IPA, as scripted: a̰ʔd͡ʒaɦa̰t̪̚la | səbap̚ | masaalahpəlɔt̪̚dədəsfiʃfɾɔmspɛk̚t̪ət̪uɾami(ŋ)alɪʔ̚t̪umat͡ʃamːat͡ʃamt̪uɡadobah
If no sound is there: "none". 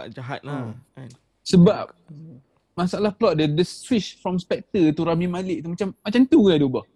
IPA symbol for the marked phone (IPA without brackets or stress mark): m